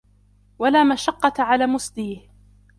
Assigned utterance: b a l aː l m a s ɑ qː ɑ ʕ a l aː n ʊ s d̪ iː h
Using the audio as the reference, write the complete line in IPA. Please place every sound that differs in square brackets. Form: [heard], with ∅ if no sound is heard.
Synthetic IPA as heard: [w] a l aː [∅] m a [ʃ] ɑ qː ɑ ʕ a l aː [m] ʊ s d̪ iː h